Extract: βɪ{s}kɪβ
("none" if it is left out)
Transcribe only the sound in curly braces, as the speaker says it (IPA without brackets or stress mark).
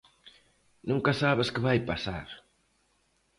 s